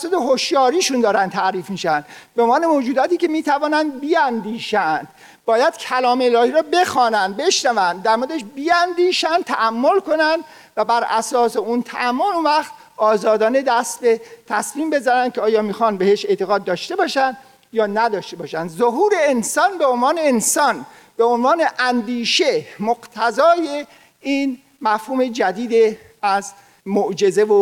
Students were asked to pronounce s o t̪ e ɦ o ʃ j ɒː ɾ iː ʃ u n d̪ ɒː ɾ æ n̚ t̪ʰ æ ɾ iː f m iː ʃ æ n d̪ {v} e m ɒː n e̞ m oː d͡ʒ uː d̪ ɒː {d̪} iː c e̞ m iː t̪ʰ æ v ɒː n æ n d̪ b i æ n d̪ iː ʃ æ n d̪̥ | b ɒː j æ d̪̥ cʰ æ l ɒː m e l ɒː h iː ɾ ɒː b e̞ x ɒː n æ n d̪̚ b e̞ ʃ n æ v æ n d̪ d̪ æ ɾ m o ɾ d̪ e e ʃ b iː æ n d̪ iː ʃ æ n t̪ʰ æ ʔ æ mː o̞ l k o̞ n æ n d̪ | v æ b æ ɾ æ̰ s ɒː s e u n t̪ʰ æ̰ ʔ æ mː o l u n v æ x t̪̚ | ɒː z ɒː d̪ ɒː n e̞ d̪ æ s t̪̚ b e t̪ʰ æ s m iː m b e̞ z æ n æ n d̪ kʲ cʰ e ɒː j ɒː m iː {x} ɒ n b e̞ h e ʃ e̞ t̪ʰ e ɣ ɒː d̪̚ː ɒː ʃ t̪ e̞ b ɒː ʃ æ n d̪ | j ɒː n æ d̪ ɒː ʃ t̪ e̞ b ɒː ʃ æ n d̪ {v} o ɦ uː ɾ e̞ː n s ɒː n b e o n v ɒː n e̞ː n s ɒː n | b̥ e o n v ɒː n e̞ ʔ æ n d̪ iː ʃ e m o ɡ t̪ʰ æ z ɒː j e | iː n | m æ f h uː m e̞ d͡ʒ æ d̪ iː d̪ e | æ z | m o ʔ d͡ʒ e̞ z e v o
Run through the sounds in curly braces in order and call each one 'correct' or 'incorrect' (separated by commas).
incorrect, incorrect, correct, incorrect